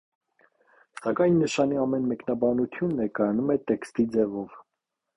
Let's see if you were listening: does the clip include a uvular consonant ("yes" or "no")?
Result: no